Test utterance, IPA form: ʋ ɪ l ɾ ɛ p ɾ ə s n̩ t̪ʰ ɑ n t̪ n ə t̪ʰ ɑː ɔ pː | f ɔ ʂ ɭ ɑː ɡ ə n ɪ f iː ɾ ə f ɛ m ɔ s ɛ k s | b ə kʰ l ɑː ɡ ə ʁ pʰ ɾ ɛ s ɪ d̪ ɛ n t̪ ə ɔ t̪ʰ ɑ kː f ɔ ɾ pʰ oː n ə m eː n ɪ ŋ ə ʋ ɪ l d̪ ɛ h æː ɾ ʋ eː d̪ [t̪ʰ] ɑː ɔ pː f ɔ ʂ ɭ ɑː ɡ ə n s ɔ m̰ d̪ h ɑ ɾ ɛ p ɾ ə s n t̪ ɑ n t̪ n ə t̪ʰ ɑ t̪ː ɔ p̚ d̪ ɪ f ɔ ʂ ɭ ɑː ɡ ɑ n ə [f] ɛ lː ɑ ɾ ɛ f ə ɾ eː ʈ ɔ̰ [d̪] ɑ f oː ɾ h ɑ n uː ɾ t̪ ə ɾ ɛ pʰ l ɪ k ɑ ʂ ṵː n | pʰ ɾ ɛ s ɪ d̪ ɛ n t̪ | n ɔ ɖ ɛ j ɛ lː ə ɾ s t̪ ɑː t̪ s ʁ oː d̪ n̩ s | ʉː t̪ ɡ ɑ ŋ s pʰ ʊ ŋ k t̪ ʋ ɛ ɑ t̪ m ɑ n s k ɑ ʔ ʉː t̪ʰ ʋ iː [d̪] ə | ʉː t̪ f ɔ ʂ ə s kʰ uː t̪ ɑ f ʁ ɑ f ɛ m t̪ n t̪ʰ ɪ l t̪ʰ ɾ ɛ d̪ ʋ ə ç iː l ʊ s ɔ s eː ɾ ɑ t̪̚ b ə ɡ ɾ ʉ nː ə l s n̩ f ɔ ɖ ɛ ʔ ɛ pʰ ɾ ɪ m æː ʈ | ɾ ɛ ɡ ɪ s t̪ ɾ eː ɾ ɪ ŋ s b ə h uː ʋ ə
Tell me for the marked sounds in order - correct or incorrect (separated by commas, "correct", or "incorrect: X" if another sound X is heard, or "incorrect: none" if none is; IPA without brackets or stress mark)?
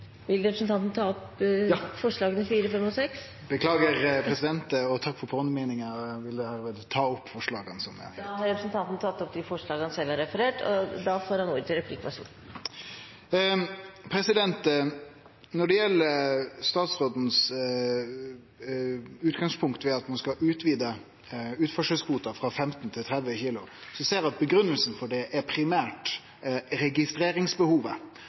correct, incorrect: s, correct, correct